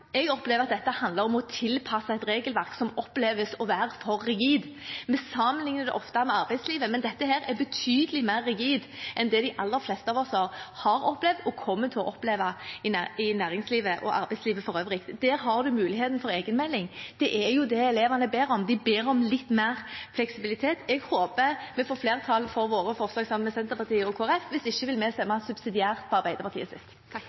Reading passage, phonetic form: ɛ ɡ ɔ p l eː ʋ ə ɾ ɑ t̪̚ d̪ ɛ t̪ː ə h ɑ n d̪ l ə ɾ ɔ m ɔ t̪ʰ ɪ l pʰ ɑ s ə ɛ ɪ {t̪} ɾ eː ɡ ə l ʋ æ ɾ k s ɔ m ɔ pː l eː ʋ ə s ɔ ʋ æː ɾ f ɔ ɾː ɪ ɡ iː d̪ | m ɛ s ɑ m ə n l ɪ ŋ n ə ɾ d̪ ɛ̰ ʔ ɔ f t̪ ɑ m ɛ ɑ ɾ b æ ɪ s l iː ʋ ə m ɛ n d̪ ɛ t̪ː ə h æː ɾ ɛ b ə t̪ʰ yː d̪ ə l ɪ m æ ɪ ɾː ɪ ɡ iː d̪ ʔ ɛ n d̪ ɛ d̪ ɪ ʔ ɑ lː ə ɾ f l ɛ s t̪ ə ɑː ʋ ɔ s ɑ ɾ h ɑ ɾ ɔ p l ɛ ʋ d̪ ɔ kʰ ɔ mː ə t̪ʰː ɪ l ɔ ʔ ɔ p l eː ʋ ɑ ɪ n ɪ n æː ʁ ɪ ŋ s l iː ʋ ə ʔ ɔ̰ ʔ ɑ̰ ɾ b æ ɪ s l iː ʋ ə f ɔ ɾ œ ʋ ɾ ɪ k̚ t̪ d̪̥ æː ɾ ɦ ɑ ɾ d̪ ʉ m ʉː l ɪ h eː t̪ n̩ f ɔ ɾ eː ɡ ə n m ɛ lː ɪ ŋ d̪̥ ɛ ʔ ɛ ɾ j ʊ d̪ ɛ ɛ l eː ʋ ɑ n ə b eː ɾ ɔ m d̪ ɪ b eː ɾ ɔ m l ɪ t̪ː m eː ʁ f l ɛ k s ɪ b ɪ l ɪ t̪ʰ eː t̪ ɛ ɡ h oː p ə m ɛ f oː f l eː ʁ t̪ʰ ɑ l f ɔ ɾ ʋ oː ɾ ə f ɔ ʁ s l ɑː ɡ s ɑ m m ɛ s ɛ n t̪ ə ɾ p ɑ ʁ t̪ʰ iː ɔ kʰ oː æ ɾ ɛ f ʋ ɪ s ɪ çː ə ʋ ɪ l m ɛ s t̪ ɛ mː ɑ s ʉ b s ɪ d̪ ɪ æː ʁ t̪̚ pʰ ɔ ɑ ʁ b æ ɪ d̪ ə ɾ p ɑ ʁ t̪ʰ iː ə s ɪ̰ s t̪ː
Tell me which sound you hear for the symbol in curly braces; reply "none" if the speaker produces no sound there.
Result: t̪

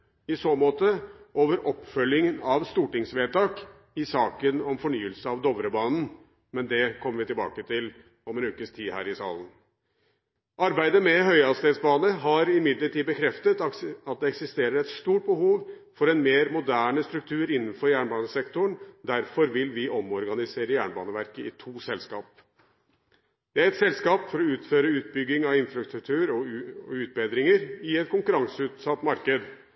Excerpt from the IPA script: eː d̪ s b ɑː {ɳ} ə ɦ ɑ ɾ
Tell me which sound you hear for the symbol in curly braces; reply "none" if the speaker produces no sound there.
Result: n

